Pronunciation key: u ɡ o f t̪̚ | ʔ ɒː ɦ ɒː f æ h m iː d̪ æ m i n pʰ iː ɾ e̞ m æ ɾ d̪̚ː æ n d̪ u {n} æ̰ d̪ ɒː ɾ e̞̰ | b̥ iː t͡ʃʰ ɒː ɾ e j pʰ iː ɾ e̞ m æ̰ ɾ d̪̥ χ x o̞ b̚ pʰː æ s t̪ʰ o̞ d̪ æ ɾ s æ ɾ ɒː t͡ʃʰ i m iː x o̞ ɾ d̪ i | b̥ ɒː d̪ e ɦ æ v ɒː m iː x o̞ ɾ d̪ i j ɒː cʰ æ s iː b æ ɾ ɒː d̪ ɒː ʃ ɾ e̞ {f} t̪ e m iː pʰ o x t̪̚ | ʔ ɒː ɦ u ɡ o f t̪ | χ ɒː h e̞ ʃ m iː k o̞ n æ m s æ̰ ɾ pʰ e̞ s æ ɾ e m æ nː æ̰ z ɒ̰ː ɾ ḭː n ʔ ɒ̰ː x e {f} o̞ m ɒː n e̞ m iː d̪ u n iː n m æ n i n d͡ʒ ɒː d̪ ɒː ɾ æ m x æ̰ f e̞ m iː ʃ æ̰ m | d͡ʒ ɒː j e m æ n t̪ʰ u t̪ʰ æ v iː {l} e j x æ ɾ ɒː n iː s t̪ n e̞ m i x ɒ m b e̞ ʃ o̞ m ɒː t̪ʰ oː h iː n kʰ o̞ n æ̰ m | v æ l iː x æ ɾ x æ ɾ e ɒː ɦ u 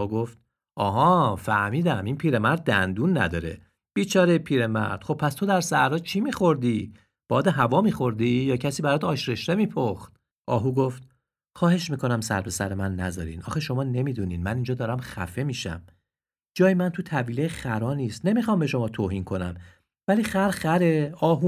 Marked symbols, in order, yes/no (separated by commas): no, no, no, yes